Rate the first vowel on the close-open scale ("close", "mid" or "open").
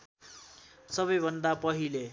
mid